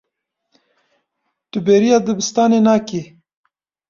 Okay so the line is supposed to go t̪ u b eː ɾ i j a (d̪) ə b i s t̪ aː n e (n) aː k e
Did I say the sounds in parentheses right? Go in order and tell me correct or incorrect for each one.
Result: correct, correct

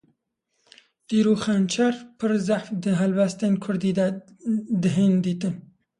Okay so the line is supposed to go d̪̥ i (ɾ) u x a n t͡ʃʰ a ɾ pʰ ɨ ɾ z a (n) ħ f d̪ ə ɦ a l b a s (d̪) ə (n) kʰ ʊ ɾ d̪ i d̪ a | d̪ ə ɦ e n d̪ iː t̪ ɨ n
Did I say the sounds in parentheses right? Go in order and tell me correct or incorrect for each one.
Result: correct, incorrect: none, incorrect: t̪, correct

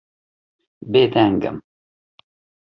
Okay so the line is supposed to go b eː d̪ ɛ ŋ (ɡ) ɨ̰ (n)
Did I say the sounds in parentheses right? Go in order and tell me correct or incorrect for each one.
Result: correct, incorrect: m

